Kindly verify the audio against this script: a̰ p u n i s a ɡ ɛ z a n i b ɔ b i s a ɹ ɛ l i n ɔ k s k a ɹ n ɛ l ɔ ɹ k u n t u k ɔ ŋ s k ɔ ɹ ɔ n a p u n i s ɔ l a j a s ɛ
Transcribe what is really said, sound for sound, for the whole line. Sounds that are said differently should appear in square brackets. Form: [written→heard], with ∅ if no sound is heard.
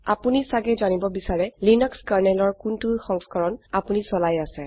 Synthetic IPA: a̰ p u n i s a ɡ ɛ z a n i b ɔ b i s a ɹ ɛ l i n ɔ k s k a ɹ n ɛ l ɔ ɹ k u n t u [k→x] ɔ ŋ s k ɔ ɹ ɔ n a p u n i s ɔ l a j a s ɛ